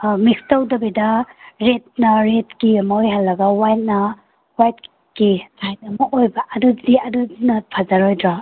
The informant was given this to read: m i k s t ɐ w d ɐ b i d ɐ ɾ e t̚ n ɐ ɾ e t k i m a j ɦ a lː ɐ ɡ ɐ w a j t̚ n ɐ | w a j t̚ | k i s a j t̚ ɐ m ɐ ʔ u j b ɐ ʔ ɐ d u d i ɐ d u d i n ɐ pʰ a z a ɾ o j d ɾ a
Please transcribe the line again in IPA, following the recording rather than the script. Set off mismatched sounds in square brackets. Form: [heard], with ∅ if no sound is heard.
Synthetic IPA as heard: m i k s t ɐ w d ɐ b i d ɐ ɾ e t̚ n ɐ ɾ e t k i m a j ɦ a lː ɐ ɡ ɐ w a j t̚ n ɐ | w a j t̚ | k i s a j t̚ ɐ m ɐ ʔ [o] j b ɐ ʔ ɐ d u d i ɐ d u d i n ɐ pʰ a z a ɾ o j d ɾ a